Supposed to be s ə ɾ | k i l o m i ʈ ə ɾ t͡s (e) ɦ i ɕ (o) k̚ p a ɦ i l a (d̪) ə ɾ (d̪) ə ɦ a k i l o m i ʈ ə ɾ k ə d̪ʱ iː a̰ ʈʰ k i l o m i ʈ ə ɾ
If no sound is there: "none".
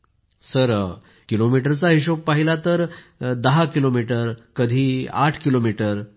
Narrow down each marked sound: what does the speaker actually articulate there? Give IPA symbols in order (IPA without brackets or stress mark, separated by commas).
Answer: a, o, t̪, d̪